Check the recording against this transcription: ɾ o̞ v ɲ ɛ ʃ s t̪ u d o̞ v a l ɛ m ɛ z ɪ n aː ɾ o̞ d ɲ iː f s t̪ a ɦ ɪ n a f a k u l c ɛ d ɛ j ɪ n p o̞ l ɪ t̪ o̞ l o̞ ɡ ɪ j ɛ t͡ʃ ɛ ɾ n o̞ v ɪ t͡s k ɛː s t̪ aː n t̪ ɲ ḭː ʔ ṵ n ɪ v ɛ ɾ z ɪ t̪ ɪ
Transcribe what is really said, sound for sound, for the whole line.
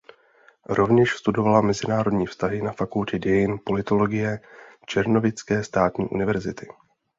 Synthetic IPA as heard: ɾ o̞ v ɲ ɛ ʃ s t̪ u d o̞ v a l a m ɛ z ɪ n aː ɾ o̞ d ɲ iː f s t̪ a ɦ ɪ n a f a k u l c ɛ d ɛ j ɪ n p o̞ l ɪ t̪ o̞ l o̞ ɡ ɪ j ɛ t͡ʃ ɛ ɾ n o̞ v ɪ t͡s k ɛː s t̪ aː t̪ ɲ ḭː ʔ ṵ n ɪ v ɛ ɾ z ɪ t̪ ɪ

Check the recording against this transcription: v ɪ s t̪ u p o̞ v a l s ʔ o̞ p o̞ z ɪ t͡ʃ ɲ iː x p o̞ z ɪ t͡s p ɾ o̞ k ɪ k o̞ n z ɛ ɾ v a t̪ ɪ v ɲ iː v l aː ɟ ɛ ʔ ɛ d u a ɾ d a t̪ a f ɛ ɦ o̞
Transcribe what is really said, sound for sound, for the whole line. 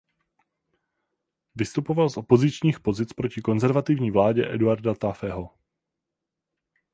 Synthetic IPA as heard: v ɪ s t̪ u p o̞ v a l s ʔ o̞ p o̞ z ɪ t͡ʃ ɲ iː x p o̞ z ɪ t͡s p ɾ o̞ c ɪ k o̞ n z ɛ ɾ v a t̪ ɪ v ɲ iː v l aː ɟ ɛ ʔ ɛ d u a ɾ d a t̪ a f ɛ ɦ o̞

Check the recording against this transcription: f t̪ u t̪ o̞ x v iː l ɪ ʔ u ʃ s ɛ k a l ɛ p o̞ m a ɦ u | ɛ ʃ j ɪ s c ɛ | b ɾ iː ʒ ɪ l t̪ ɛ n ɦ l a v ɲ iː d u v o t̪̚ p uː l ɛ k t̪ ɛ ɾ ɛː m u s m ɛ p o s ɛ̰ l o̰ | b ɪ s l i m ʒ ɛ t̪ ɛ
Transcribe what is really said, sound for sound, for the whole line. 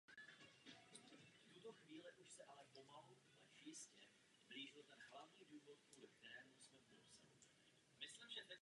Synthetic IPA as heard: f t̪ u t̪ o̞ x v iː l ɪ ʔ u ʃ s ɛ ʔ a l ɛ p o̞ m a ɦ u | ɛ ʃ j ɪ s c ɛ | b l iː ʒ ɪ l t̪ ɛ n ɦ l a v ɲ iː d uː v o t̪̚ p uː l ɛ k t̪ ɛ ɾ ɛː m u s m ɛ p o s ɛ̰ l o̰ | m ɪ s l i m ʒ ɛ t̪ ɛ

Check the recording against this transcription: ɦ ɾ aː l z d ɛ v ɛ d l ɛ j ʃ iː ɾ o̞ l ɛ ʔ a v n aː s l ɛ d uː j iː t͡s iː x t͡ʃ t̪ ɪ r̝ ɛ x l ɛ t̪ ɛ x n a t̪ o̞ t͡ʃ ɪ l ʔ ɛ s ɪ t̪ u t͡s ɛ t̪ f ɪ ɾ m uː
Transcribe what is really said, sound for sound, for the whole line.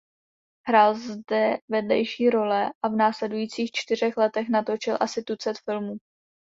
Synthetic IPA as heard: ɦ ɾ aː l z d ɛ v ɛ d l ɛ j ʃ iː ɾ o̞ l ɛ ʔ a v n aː s l ɛ d u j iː t͡s iː x t͡ʃ t̪ ɪ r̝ ɛ x l ɛ t̪ ɛ x n a t̪ o̞ t͡ʃ ɪ l ʔ a s ɪ t̪ u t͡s ɛ t̪ f ɪ l m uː

